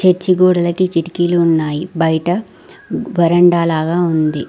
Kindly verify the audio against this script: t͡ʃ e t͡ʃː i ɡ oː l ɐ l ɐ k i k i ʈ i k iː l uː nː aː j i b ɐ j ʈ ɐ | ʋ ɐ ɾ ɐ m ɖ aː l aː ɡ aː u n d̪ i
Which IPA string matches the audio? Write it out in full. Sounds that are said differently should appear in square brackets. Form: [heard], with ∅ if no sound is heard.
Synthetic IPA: t͡ʃ e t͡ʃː i ɡ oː [ɽ] ɐ l ɐ k i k i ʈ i k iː l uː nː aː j i b ɐ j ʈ ɐ | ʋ ɐ ɾ ɐ [ɳ] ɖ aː l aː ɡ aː u n d̪ i

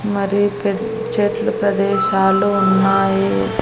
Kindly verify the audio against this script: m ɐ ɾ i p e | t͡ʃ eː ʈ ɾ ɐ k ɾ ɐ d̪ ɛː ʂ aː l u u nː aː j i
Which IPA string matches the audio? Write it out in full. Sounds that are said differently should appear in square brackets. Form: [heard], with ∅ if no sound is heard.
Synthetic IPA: m ɐ ɾ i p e | t͡ʃ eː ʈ [l] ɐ [p] ɾ ɐ d̪ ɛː [ʃ] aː l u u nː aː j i

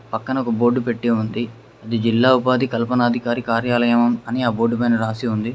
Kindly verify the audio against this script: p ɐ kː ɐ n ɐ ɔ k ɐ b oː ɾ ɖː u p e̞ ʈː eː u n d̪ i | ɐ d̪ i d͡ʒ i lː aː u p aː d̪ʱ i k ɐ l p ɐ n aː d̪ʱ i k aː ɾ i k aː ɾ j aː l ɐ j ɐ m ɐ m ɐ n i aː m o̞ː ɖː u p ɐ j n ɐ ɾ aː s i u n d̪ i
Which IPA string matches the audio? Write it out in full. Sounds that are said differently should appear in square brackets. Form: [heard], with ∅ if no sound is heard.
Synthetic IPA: p ɐ kː ɐ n ɐ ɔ k ɐ b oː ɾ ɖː u p e̞ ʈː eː u n d̪ i | ɐ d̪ i d͡ʒ i lː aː u p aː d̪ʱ i k ɐ l p ɐ n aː d̪ʱ i k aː ɾ i k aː ɾ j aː l ɐ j ɐ m ɐ m ɐ n i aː [b] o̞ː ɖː u p ɐ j n ɐ ɾ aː s i u n d̪ i

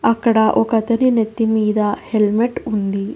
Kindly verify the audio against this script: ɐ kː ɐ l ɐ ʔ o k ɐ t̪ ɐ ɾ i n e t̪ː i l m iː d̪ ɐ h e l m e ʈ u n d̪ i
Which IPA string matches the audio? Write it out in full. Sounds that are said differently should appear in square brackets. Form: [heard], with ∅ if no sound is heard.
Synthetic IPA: ɐ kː ɐ [ɽ] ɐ ʔ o k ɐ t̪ ɐ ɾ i n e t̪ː i [∅] m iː d̪ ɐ h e l m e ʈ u n d̪ i

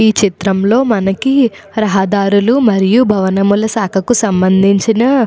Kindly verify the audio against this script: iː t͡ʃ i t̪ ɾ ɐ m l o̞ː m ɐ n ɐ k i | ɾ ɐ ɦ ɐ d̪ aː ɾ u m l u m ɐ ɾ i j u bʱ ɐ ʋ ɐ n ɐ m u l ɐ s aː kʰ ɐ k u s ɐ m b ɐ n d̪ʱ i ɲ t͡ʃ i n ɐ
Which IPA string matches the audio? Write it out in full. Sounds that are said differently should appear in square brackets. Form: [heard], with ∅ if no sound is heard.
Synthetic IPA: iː t͡ʃ i t̪ ɾ ɐ m l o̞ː m ɐ n ɐ k i | ɾ ɐ ɦ ɐ d̪ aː ɾ u [∅] l u m ɐ ɾ i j u bʱ ɐ ʋ ɐ n ɐ m u l ɐ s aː kʰ ɐ k u s ɐ m b ɐ n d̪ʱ i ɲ t͡ʃ i n ɐ

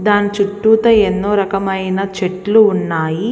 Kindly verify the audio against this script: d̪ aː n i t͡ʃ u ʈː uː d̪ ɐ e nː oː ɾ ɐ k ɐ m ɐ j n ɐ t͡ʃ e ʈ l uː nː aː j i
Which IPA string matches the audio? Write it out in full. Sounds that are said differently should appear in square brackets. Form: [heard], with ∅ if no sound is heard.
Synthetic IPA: d̪ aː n i t͡ʃ u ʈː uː [t̪] ɐ e nː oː ɾ ɐ k ɐ m ɐ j n ɐ t͡ʃ e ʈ l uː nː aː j i

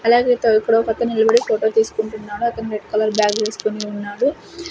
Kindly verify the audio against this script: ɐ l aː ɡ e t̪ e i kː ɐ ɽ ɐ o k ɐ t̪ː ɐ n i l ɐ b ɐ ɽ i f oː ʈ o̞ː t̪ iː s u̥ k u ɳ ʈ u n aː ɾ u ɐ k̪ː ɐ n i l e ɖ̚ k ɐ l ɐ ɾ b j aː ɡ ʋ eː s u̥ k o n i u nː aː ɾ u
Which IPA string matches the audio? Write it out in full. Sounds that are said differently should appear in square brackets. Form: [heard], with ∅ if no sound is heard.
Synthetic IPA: ɐ l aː ɡ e t̪ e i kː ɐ ɽ ɐ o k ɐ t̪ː ɐ n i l ɐ b ɐ ɽ i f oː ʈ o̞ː t̪ iː s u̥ k u ɳ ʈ u [nː] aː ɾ u ɐ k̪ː ɐ n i [ɾ] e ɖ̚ k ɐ l ɐ ɾ b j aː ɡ ʋ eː s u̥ k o n i u nː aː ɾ u

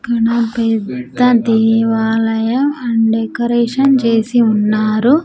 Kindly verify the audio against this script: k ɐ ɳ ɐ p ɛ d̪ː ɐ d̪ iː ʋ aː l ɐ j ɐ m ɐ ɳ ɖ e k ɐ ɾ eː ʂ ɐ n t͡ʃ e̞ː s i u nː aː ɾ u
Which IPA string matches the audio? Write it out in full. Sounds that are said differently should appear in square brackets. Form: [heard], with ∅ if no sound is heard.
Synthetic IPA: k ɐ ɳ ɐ p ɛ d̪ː ɐ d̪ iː ʋ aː l ɐ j ɐ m ɐ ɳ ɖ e k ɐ ɾ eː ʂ ɐ n t͡ʃ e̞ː s i u nː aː ɾ u

